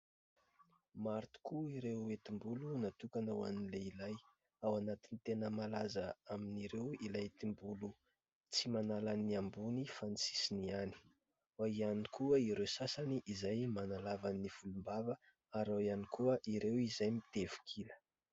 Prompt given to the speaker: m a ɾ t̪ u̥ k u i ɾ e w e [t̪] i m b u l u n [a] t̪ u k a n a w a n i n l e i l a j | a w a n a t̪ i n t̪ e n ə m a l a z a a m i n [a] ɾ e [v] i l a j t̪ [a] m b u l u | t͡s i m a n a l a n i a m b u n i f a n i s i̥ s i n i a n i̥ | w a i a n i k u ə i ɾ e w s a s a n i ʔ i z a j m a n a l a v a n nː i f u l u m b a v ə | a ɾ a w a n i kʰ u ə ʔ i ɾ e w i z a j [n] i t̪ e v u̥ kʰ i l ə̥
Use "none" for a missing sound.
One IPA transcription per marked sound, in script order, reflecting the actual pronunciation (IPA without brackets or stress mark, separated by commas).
t̪, a, i, w, i, m